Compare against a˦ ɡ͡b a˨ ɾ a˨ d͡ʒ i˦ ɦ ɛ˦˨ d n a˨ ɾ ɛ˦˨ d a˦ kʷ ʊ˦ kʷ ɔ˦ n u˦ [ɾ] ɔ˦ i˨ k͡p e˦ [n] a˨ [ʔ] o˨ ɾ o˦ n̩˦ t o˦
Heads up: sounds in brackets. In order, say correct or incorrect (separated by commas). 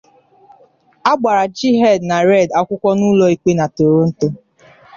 incorrect, correct, incorrect